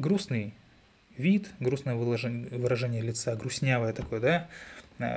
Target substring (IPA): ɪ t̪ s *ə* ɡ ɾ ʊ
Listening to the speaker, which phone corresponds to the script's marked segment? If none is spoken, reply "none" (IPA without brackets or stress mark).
a